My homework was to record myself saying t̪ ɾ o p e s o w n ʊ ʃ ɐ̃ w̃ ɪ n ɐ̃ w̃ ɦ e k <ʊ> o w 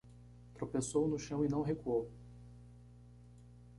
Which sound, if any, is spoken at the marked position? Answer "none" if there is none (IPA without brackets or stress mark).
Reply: u